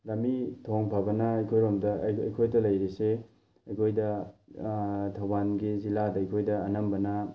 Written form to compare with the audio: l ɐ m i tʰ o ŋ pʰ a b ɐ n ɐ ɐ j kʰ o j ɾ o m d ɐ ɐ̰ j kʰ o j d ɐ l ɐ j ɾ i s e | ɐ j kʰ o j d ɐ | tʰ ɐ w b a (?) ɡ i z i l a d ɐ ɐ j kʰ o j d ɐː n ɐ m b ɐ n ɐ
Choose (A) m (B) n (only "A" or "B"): B